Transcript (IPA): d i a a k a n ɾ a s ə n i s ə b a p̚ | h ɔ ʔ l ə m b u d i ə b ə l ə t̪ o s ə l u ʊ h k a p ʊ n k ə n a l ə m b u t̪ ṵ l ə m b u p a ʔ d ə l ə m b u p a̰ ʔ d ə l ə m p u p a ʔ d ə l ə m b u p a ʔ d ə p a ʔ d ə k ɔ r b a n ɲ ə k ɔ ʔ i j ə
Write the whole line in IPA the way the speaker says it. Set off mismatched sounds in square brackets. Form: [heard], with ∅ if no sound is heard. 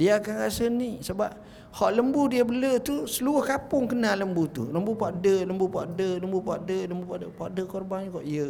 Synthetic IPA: d i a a k a n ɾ a s ə n i s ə b a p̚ | h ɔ ʔ l ə m b u d i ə b ə l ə t̪ [u] s ə l u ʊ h k a p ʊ [ŋ] k ə n a l ə m b u t̪ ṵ l ə m b u p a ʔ d ə l ə m b u p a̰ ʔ d ə l ə m [b] u p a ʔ d ə l ə m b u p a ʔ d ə p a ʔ d ə k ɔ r b a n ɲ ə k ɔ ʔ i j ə